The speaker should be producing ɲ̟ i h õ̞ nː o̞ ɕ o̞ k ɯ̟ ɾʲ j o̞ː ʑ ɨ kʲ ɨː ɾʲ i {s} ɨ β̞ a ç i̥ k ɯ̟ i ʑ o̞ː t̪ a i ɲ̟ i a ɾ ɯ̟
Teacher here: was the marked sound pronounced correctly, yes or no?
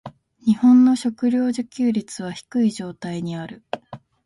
no